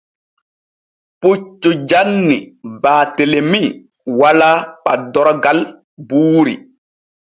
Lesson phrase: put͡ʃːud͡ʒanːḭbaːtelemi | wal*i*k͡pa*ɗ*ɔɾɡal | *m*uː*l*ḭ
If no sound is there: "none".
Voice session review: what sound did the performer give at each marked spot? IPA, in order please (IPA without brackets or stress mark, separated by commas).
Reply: a, d, b, ɾ